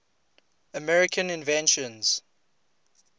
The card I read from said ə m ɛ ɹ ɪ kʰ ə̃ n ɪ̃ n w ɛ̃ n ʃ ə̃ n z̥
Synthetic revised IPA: ə m ɛ ɹ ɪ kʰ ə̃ n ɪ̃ n v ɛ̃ n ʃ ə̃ n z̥